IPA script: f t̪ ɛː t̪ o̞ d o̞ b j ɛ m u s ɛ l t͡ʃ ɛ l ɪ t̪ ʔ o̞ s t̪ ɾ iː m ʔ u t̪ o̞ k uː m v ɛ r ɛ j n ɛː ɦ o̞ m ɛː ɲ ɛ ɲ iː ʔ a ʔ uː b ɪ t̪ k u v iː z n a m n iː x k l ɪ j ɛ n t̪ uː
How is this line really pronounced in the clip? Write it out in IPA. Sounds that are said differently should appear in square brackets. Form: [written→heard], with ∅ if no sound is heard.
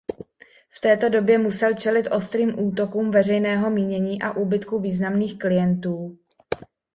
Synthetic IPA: f t̪ ɛː t̪ o̞ d o̞ b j ɛ m u s ɛ l t͡ʃ ɛ l ɪ t̪ ʔ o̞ s t̪ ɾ iː m ʔ [u→uː] t̪ o̞ k uː m v ɛ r ɛ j n ɛː ɦ o̞ m [ɛː→iː] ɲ ɛ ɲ iː ʔ a ʔ uː b ɪ t̪ k u v iː z n a m n iː x k l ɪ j ɛ n t̪ uː